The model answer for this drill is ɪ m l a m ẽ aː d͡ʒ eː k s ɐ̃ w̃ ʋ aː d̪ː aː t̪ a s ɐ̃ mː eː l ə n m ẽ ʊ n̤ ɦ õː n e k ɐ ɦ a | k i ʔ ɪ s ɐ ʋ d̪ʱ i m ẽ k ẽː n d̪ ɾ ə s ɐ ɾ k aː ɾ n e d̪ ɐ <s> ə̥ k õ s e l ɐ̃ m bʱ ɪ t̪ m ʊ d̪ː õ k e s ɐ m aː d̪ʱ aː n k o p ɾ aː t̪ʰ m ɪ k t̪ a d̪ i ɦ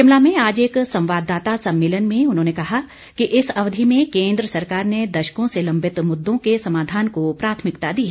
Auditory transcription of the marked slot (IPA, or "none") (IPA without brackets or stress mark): ʃ